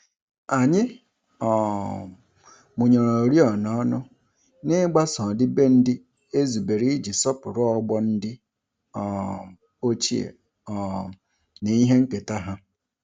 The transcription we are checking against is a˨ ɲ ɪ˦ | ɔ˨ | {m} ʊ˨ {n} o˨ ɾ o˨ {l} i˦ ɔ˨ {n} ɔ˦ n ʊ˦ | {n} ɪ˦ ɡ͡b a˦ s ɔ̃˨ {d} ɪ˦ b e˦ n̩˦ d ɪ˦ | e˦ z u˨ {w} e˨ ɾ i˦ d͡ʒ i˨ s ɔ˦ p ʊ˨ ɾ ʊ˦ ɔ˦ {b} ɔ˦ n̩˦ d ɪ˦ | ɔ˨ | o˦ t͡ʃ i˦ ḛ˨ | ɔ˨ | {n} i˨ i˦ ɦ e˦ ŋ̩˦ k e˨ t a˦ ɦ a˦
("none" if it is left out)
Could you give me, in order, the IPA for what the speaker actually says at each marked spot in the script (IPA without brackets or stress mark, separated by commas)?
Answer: m, ɲ, ɾ, n, n, d, b, ɡ͡b, n